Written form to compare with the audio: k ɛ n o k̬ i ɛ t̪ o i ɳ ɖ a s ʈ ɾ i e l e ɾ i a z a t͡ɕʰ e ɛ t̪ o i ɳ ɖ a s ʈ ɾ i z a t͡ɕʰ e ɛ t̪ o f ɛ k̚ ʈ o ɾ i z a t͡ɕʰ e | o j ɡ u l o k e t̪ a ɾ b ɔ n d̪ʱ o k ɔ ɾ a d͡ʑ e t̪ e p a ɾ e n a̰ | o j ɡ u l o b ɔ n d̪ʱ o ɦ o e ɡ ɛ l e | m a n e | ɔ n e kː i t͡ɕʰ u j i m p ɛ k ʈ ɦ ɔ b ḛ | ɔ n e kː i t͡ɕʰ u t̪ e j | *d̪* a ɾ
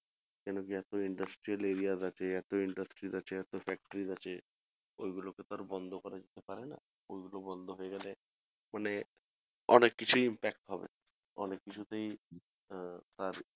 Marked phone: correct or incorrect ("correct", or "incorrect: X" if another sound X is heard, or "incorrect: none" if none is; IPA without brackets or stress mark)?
incorrect: t̪